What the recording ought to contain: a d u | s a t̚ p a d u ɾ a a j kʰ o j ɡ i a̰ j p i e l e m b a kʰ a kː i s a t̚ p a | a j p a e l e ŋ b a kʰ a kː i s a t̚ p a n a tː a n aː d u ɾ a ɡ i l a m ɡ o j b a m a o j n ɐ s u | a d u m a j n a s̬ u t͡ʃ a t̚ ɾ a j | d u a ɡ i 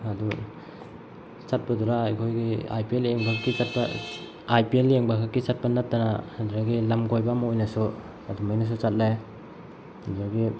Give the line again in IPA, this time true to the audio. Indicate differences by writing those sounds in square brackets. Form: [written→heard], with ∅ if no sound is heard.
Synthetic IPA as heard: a d u | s a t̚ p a d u ɾ a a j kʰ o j ɡ i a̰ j p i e l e [m→ŋ] b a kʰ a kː i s a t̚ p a | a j p [a→i] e l e ŋ b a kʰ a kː i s a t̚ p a n a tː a n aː d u ɾ a ɡ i l a m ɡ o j b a m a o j n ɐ s u | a d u m a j n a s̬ u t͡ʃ a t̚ [ɾ→l] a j | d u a ɡ i